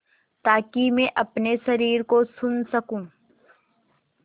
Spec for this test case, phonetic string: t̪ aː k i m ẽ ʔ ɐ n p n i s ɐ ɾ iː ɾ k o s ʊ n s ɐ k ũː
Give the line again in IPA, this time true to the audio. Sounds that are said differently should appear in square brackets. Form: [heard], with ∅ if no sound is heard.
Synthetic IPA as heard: t̪ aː k i m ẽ ʔ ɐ [∅] p n [e] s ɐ ɾ iː ɾ k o s ʊ n s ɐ k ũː